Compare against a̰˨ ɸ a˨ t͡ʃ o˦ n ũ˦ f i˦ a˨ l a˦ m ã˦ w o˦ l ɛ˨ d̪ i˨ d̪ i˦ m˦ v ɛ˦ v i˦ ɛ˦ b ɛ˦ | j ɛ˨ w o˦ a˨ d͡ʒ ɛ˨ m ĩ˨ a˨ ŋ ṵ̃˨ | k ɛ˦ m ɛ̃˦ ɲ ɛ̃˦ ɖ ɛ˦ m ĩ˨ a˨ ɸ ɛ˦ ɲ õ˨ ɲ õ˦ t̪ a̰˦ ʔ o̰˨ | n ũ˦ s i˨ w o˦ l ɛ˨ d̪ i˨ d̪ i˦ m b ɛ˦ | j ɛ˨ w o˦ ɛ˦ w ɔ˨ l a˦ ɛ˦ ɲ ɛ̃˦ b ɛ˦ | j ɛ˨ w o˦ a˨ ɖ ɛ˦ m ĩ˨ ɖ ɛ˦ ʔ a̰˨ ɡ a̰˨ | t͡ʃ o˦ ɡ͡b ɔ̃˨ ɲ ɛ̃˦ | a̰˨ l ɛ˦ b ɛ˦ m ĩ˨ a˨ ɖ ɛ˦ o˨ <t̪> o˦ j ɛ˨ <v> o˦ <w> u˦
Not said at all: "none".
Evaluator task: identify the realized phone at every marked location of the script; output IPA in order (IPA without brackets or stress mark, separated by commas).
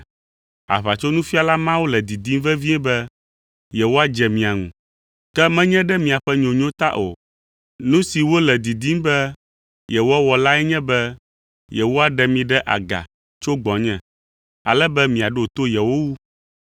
t̪, w, w